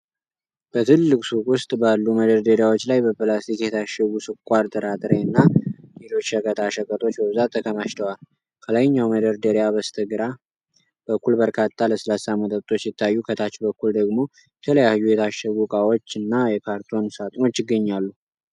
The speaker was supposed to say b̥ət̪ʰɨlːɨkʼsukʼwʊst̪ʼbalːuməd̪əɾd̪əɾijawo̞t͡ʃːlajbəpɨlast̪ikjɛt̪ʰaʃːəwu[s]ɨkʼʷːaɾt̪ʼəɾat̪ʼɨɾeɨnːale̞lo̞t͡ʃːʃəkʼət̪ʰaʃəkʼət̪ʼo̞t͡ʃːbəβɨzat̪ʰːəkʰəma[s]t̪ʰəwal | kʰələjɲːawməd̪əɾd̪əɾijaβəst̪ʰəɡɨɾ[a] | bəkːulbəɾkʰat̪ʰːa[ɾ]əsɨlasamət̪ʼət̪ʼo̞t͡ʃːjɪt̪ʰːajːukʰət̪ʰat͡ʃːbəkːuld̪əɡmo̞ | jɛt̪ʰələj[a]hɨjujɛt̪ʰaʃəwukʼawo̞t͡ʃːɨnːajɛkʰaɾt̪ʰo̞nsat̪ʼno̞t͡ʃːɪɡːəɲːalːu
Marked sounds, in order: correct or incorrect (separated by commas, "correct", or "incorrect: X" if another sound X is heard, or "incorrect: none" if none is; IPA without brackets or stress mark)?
correct, incorrect: ʃ, correct, incorrect: l, correct